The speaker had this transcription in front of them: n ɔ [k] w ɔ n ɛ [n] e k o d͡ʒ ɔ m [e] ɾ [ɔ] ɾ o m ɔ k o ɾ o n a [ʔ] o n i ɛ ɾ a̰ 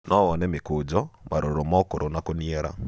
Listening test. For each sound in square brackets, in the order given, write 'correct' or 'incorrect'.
incorrect: none, incorrect: m, incorrect: a, incorrect: o, incorrect: k

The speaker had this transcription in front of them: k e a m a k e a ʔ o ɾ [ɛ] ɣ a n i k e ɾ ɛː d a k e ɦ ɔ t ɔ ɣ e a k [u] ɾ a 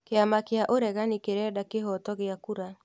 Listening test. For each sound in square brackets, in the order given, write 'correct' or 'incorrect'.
correct, correct

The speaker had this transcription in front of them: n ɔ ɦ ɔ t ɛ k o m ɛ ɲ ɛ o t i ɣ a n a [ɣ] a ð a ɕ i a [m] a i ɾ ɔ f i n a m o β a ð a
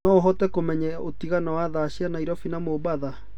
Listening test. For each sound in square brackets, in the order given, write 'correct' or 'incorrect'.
incorrect: w, incorrect: n

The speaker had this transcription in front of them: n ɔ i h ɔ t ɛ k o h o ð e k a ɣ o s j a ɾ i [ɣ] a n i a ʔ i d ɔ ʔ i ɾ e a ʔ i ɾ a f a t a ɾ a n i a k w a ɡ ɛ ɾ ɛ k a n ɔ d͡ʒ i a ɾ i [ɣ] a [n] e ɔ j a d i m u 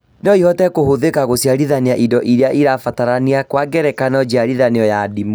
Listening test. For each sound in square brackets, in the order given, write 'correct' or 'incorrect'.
incorrect: ð, incorrect: ð, correct

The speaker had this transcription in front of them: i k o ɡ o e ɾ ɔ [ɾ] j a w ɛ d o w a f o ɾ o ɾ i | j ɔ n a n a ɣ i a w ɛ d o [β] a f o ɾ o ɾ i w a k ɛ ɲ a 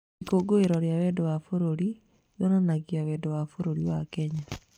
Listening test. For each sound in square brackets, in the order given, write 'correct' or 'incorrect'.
correct, incorrect: w

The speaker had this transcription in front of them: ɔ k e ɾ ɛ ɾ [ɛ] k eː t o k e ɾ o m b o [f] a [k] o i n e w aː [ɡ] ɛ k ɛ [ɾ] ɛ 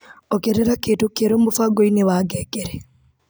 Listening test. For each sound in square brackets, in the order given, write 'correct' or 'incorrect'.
incorrect: a, correct, incorrect: ɡ, correct, correct

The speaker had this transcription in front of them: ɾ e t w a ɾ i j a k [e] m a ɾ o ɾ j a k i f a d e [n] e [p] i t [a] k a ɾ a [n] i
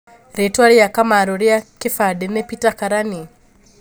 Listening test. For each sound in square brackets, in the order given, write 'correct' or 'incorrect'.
incorrect: a, correct, correct, correct, correct

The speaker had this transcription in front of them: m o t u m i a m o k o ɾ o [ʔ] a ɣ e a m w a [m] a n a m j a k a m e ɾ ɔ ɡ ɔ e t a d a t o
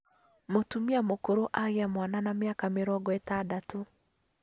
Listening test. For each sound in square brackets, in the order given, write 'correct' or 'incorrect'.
correct, incorrect: n

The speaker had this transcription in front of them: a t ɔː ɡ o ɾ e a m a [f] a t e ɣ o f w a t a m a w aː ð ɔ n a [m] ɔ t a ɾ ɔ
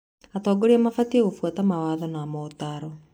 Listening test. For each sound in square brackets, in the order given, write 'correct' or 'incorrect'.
correct, correct

